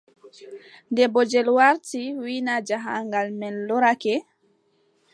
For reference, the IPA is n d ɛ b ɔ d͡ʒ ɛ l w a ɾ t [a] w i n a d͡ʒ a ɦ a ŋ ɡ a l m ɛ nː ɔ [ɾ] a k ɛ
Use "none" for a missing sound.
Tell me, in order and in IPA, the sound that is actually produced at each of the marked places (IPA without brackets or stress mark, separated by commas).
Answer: i, ɾ